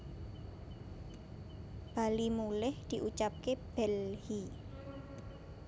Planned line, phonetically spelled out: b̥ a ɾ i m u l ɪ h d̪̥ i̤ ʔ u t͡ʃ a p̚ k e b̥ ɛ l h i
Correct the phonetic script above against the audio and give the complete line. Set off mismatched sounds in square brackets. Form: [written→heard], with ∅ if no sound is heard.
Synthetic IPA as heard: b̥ a [ɾ→l] i m u l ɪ h d̪̥ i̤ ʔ u t͡ʃ a p̚ k e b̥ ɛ l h i

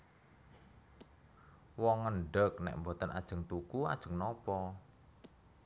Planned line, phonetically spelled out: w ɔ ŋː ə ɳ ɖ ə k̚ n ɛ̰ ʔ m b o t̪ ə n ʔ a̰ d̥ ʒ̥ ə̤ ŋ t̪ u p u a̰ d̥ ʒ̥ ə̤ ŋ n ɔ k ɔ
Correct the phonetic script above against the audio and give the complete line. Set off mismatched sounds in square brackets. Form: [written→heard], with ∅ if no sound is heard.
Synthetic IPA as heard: w ɔ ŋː ə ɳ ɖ ə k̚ n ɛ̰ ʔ m b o t̪ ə n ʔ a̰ d̥ ʒ̥ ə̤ ŋ t̪ u [p→k] u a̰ d̥ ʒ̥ ə̤ ŋ n ɔ [k→p] ɔ

